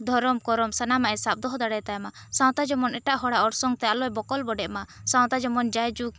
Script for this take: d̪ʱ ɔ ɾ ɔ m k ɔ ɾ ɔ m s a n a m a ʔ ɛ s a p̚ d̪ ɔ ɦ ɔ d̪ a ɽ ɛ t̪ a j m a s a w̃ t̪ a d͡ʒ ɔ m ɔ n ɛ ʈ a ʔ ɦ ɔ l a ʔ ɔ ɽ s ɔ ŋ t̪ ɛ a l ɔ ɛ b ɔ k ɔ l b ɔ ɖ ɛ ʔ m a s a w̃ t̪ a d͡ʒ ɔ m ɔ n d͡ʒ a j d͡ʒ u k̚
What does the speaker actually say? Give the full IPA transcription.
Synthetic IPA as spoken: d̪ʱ ɔ ɾ ɔ m k ɔ ɾ ɔ m s a n a m a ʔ ɛ s a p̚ d̪ ɔ ɦ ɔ d̪ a ɽ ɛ t̪ a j m a s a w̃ t̪ a d͡ʒ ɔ m ɔ n ɛ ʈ a ʔ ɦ ɔ ɽ a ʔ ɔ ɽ s ɔ ŋ t̪ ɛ a l ɔ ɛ b ɔ k ɔ l b ɔ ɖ ɛ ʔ m a s a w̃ t̪ a d͡ʒ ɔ m ɔ n d͡ʒ a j d͡ʒ u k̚